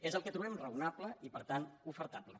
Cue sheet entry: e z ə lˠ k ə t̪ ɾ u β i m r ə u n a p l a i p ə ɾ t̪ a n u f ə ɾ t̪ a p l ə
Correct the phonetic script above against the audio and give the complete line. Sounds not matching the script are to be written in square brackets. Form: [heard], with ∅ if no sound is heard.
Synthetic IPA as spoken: e z ə lˠ k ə t̪ ɾ u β [ɛ] m r ə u n a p l [ə] i p ə ɾ t̪ a n u f ə ɾ t̪ a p l ə